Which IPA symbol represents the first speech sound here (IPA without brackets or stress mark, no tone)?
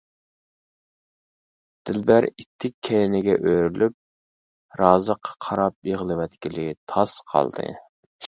d̪̥